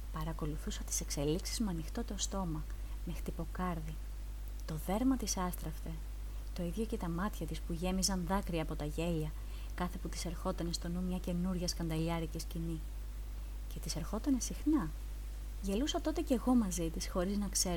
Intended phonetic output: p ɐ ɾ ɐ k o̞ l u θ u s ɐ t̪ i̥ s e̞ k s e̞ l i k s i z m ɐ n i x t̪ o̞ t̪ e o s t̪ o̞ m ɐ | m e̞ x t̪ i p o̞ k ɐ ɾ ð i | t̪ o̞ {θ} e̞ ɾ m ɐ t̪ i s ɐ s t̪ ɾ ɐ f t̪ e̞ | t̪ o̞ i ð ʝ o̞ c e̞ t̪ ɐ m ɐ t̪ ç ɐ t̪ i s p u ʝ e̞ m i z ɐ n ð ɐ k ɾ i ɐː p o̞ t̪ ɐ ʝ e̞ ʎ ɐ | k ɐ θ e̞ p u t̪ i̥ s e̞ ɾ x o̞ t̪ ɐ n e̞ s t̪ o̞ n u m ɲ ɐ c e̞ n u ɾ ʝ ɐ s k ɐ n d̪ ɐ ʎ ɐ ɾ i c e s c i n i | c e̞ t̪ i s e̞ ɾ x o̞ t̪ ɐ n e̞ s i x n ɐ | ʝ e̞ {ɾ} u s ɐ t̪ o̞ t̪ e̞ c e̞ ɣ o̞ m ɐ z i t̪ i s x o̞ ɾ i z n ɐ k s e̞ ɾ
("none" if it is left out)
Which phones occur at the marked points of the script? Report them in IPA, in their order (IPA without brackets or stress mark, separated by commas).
ð, l